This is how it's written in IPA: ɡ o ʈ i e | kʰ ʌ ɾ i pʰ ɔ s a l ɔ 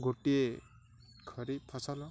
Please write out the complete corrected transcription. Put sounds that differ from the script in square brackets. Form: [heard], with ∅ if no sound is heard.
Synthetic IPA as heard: ɡ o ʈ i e | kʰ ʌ ɾ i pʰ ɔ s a l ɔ